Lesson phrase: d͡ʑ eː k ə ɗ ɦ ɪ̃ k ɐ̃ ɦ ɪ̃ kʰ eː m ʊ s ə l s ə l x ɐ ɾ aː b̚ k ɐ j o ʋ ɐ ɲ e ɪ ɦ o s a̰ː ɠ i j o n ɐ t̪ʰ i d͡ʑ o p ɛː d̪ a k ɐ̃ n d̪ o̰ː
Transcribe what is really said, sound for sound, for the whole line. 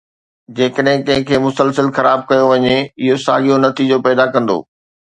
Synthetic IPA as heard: d͡ʑ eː k ə ɗ ɦ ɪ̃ k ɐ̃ ɦ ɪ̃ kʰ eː m ʊ s ə l s ə l x ɐ ɾ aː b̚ k ɐ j o ʋ ɐ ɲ e ɪ ɦ o s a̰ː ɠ i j o n ɐ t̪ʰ i d͡ʑ o p ɛː d̪ a k ɐ̃ n d̪ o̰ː